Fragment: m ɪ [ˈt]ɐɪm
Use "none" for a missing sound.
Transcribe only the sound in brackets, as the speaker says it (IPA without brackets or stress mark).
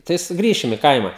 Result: k